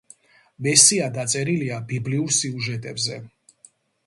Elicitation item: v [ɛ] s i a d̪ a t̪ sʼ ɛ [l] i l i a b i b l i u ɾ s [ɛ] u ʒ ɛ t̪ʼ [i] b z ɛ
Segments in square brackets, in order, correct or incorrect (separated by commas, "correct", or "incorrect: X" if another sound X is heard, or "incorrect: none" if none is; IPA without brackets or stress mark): correct, incorrect: ɾ, incorrect: i, incorrect: ɛ